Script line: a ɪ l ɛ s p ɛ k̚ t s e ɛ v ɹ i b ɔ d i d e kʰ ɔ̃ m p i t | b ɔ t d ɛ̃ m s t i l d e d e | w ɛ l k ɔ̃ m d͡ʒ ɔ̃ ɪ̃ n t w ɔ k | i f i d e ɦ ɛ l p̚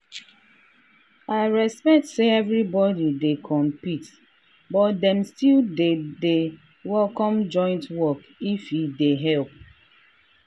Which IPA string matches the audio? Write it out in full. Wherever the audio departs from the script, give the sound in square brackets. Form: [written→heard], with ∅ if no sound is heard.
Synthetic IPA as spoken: a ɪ [l→ɹ] ɛ s p ɛ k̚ t s e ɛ v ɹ i b ɔ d i d e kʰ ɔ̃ m p i t | b ɔ t d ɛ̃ m s t i l d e d e | w ɛ l k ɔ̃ m d͡ʒ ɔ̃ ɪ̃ n t w ɔ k | i f i d e ɦ ɛ l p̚